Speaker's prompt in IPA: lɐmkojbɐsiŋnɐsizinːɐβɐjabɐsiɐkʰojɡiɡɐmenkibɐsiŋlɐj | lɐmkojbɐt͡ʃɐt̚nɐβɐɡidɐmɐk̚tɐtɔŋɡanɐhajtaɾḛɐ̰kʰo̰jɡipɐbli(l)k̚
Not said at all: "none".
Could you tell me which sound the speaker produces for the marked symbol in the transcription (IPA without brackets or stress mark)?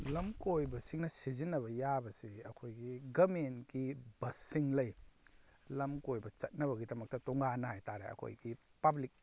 none